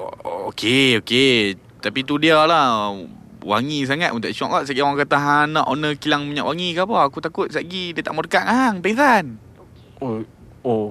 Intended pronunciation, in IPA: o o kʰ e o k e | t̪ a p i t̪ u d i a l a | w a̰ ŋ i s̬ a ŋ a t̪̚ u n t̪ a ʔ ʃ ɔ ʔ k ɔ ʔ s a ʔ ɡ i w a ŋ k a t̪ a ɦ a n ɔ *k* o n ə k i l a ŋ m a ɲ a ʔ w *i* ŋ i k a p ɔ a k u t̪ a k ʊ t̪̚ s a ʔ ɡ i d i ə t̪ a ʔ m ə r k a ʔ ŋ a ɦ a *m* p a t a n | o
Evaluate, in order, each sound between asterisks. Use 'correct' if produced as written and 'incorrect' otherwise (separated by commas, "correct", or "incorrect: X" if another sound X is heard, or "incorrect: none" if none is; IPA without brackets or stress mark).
incorrect: ʔ, incorrect: a, incorrect: ŋ